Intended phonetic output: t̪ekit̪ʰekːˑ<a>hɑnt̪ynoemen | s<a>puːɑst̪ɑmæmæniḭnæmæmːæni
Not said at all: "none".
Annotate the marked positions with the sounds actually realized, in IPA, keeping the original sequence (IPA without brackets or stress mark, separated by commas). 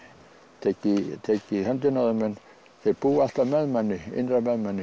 i, e